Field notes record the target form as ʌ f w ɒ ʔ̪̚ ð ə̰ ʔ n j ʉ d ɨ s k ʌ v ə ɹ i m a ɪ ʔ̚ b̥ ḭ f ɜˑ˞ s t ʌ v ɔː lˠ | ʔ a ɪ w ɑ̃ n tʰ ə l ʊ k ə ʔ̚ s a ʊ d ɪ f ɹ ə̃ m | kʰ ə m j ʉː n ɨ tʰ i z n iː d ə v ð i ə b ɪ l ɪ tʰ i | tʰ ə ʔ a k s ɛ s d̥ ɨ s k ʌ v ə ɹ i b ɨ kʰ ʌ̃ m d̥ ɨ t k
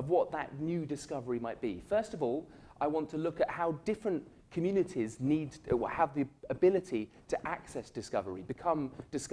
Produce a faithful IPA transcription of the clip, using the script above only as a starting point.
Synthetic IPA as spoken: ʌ v w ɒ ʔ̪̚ ð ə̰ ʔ n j ʉ d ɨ s k ʌ v ə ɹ i m a ɪ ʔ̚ b̥ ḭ f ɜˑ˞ s t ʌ v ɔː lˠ | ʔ a ɪ w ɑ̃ n tʰ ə l ʊ k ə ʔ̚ h a ʊ d ɪ f ɹ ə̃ n | kʰ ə m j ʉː n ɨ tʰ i z n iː d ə v ð i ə b ɪ l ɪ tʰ i | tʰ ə ʔ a k s ɛ s d̥ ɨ s k ʌ v ə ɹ i b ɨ kʰ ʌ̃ m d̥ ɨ s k